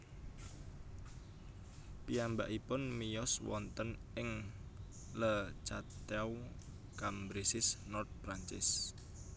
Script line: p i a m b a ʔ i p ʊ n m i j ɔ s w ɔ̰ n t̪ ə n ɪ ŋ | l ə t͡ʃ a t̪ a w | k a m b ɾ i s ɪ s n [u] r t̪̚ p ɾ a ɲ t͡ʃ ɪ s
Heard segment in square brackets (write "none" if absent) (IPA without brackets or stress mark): ɔ